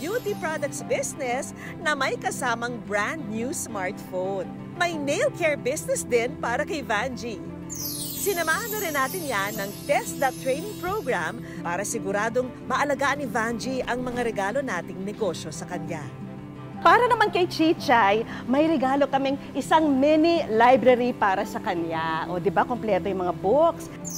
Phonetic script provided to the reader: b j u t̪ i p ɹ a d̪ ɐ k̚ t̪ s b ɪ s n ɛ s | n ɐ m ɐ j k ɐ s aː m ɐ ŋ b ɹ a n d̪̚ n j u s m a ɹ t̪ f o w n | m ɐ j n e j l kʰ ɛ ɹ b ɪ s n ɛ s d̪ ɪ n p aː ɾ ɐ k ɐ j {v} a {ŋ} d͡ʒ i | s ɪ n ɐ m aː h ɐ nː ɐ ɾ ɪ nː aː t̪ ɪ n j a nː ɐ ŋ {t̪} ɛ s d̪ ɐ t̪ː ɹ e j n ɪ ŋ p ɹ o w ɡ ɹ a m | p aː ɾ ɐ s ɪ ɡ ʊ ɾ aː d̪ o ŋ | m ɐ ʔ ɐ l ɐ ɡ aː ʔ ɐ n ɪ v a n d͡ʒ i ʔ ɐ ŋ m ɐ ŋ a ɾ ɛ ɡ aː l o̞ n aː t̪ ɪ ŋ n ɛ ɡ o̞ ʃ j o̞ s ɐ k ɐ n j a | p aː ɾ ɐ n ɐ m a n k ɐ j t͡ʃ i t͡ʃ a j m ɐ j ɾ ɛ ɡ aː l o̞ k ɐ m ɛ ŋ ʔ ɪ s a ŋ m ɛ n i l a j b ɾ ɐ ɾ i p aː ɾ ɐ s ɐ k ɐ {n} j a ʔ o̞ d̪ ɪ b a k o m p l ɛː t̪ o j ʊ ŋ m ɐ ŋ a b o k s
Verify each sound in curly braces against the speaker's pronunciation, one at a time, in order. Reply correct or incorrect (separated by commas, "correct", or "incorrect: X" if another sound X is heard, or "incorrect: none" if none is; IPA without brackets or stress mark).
correct, incorrect: n, correct, correct